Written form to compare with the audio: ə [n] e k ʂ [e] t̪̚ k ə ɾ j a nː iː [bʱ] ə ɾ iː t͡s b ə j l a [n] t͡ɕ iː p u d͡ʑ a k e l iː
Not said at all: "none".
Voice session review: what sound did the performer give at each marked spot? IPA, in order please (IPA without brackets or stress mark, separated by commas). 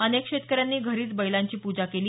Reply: n, e, ɡʱ, ɲ